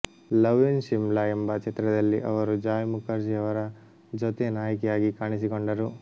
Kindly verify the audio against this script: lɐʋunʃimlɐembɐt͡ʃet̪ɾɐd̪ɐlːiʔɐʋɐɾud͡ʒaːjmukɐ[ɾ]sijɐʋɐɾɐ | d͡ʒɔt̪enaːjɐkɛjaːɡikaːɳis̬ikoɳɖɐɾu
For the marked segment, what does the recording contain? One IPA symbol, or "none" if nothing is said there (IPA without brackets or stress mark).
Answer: ɾ